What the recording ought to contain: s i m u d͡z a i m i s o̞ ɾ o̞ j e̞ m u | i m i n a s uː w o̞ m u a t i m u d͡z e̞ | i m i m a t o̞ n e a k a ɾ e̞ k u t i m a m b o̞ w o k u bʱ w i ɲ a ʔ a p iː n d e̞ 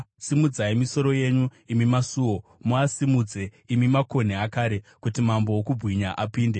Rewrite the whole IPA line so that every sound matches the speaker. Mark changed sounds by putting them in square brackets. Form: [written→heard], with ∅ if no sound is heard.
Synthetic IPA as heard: s i m u d͡z a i m i s o̞ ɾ o̞ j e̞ [m→ɲ] u | i m i [n→m] a s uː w o̞ m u a [t→s] i m u d͡z e̞ | i m i m a [t→k] o̞ n e a k a ɾ e̞ k u t i m a m b o̞ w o k u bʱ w i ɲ a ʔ a p iː n d e̞

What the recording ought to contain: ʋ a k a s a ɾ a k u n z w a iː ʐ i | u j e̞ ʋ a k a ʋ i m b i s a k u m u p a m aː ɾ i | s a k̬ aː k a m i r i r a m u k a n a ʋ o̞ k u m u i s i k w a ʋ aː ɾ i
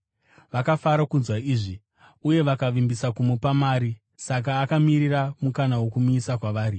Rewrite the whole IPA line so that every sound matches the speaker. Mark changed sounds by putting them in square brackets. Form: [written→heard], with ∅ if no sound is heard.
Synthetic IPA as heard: ʋ a k a [s→f] a ɾ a k u n z w a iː ʐ i | u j e̞ ʋ a k a ʋ i m b i s a k u m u p a m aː ɾ i | s a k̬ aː k a m i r i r a m u k a n a [ʋ→w] o̞ k u m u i s [i→a] k w a ʋ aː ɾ i

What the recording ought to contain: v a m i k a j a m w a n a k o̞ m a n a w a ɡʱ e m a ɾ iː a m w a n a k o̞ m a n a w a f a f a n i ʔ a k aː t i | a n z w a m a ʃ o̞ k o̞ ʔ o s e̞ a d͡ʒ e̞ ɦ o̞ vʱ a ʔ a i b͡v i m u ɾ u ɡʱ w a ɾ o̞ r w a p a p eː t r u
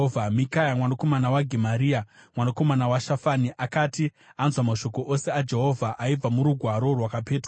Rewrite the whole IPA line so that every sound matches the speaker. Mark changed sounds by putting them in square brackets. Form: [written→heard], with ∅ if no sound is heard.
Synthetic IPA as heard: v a m i k a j a m w a n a k o̞ m a n a w a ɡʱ e m a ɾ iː a m w a n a k o̞ m a n a w a [f→ʃ] a f a n i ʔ a k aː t i | a n z w a m a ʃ o̞ k o̞ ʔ o s e̞ a d͡ʒ e̞ ɦ o̞ vʱ a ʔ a i b͡v [i→a] m u ɾ u ɡʱ w a ɾ o̞ r w a [p→k] a p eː t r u

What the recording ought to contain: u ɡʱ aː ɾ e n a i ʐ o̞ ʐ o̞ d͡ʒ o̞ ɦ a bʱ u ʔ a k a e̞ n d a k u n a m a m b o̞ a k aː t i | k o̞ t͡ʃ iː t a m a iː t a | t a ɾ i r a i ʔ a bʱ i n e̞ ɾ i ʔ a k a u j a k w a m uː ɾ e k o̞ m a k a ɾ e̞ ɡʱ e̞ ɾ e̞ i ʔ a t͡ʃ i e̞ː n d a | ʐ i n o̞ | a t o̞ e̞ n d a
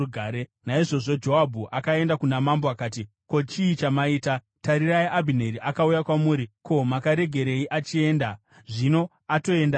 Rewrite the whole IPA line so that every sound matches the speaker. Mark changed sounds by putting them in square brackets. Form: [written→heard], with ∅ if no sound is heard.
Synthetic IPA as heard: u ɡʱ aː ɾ e n a i ʐ o̞ ʐ o̞ d͡ʒ o̞ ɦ a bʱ u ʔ a k a e̞ n d a k u n a m a m b o̞ a k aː t i | k o̞ t͡ʃ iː [t→t͡ʃ] a m a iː t a | t a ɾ i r a i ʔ a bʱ i n e̞ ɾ i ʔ a k a u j a k w a m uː ɾ [e→i] k o̞ m a k a ɾ e̞ ɡʱ e̞ ɾ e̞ i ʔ a t͡ʃ i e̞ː n d a | ʐ i n o̞ | a t o̞ e̞ n d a

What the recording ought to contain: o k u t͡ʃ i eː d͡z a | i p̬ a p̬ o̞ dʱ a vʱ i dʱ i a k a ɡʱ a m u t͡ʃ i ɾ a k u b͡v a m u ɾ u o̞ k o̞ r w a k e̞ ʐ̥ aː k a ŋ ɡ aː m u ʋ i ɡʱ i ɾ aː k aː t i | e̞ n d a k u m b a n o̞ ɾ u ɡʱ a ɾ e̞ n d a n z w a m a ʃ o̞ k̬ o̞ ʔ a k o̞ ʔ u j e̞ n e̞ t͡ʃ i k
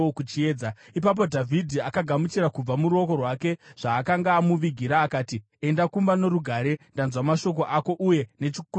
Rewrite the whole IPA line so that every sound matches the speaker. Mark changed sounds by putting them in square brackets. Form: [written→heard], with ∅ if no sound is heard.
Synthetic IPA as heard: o k u t͡ʃ i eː d͡z a | i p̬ a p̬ o̞ dʱ a vʱ i dʱ i a k a ɡʱ a m u t͡ʃ i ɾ a k u b͡v a m u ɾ u o̞ k o̞ r w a k e̞ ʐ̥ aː k a ŋ ɡ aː m u ʋ i ɡʱ i ɾ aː k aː t i | e̞ n d a k u m b a n o̞ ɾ u ɡʱ a ɾ e̞ n d a n z w a m a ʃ o̞ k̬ o̞ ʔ a k o̞ ʔ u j e̞ n e̞ t͡ʃ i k

